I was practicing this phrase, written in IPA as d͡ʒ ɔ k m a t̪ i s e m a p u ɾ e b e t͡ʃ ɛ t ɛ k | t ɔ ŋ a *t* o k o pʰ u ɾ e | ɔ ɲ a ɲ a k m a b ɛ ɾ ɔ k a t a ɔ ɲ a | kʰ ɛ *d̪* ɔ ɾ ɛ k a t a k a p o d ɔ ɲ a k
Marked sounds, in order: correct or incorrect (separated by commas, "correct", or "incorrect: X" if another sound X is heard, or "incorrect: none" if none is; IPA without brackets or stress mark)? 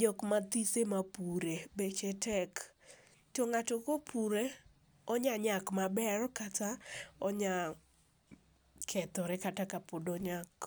correct, incorrect: t̪